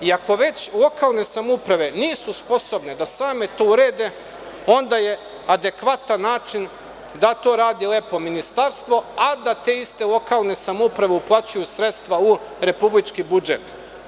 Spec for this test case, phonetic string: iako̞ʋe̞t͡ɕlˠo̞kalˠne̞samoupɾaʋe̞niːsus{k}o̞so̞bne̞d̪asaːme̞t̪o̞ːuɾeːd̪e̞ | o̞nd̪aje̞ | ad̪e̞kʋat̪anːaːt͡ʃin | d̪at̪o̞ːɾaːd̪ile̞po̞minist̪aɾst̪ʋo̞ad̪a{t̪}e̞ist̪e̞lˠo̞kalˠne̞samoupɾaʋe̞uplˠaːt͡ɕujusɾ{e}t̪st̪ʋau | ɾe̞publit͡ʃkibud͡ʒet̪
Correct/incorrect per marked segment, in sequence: incorrect: p, correct, correct

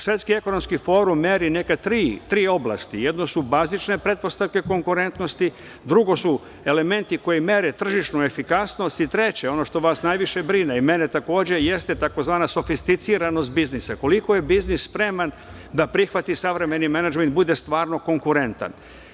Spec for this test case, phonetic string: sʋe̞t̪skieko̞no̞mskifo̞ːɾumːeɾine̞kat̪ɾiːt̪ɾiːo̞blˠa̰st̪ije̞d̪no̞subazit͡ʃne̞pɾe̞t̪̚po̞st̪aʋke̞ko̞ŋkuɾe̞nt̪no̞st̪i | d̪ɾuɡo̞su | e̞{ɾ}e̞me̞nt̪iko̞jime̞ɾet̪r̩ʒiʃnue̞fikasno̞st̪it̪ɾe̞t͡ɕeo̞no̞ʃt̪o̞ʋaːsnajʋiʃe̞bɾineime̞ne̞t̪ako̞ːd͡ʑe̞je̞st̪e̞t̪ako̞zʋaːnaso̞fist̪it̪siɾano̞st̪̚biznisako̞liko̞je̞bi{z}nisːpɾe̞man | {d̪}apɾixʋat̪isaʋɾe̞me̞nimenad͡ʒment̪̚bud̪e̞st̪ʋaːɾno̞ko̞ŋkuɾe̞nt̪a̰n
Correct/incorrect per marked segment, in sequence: incorrect: l, correct, correct

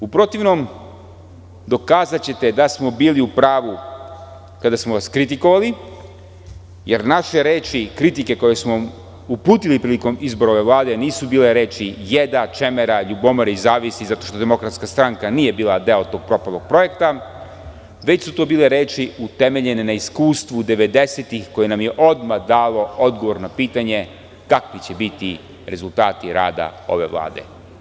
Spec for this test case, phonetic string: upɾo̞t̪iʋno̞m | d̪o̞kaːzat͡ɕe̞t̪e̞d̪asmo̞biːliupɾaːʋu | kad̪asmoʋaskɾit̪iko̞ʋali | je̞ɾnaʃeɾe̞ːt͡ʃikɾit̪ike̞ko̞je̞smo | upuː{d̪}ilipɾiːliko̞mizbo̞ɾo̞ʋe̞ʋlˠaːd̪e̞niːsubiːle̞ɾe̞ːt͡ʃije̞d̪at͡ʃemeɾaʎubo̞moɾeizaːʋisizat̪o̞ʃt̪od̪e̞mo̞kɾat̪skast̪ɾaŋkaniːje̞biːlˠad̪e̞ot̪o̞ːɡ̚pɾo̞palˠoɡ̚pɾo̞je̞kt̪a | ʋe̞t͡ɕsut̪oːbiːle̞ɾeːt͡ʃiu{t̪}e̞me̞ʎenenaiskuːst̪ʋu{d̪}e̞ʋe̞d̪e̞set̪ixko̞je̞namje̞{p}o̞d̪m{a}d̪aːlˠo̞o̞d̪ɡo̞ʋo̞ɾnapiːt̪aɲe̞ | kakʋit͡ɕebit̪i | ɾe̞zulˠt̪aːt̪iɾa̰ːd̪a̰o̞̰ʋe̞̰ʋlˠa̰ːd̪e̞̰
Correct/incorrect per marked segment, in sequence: incorrect: t̪, correct, correct, incorrect: ʔ, correct

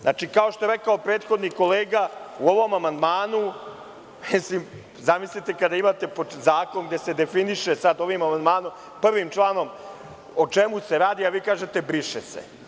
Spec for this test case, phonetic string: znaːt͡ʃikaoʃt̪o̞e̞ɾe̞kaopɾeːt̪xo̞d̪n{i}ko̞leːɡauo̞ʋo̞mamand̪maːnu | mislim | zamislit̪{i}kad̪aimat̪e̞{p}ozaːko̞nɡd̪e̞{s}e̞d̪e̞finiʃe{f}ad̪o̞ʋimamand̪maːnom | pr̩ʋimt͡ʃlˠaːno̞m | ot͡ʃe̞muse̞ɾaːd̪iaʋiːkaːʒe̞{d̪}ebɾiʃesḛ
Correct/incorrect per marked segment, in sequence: correct, incorrect: e, correct, correct, incorrect: s, incorrect: t̪

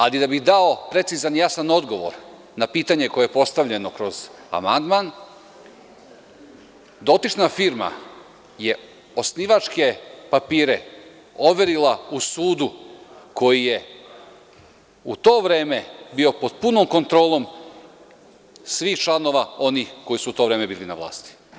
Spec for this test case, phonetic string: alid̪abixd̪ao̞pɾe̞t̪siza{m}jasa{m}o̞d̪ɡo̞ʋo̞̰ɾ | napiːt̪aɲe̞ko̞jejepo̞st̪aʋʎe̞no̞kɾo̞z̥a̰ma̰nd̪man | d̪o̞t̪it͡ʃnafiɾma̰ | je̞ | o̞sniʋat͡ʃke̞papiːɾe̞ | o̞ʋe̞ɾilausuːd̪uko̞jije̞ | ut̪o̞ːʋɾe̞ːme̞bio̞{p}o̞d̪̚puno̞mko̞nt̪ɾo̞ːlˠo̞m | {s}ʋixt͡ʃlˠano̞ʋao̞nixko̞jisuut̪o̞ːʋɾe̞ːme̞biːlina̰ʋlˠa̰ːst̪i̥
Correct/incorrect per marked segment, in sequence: incorrect: n, incorrect: n, correct, correct

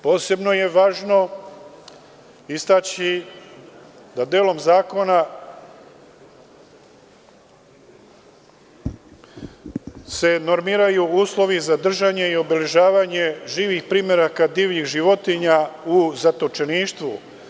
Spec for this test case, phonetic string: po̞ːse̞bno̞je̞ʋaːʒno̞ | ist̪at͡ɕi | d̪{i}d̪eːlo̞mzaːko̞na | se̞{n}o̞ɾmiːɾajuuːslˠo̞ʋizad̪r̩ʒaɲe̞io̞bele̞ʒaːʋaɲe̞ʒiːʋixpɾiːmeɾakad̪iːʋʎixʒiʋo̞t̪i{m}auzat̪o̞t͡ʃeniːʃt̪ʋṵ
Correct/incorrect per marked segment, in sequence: incorrect: a, correct, incorrect: ɲ

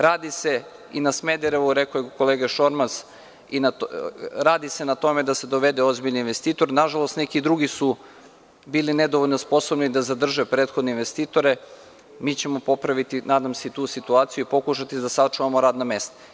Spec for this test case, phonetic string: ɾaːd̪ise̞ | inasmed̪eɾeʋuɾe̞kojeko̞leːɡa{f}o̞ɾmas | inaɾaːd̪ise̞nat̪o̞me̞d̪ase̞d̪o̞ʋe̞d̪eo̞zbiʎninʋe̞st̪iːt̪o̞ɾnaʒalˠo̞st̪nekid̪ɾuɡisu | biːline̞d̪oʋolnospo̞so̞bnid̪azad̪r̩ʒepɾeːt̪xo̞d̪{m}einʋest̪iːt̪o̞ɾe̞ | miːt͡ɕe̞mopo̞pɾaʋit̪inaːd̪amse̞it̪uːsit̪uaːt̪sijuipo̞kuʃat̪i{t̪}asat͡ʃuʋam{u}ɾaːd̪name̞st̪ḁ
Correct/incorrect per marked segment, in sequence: incorrect: ʃ, incorrect: n, incorrect: d̪, incorrect: o

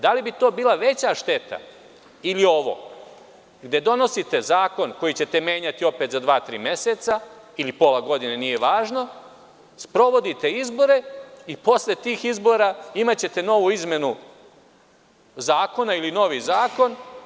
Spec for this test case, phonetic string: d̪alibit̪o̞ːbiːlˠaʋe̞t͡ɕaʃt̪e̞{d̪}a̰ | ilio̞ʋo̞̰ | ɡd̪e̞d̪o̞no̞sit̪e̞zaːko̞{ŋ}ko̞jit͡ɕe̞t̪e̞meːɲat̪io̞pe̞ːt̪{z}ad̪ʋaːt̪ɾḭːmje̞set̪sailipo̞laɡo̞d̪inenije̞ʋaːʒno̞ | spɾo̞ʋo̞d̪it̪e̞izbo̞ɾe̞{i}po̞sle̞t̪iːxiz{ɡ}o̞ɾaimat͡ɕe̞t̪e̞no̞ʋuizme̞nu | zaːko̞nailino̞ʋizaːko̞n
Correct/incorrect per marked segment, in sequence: incorrect: t̪, incorrect: n, correct, correct, incorrect: b

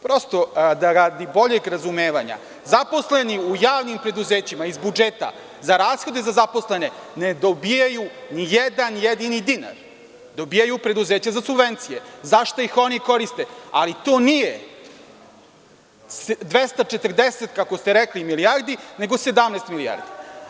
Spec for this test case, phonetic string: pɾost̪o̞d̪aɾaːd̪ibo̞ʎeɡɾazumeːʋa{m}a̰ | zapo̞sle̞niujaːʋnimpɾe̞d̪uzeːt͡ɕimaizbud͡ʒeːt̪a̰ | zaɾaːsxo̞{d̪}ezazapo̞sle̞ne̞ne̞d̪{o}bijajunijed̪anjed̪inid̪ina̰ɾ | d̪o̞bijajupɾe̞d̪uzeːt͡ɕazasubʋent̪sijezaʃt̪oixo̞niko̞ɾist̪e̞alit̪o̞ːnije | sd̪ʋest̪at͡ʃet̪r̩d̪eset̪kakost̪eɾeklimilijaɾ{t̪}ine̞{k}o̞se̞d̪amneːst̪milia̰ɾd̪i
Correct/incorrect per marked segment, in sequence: incorrect: ɲ, correct, correct, incorrect: d̪, incorrect: ɡ

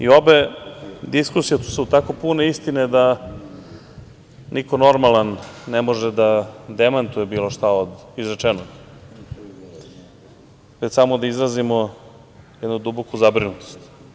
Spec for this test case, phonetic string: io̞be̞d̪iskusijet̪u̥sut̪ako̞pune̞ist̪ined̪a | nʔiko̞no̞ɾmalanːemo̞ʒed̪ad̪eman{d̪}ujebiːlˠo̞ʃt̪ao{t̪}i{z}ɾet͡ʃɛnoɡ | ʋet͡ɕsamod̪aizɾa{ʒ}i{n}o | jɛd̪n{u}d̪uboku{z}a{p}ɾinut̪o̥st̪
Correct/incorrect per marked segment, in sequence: incorrect: t̪, incorrect: d̪, correct, incorrect: z, incorrect: m, correct, correct, incorrect: b

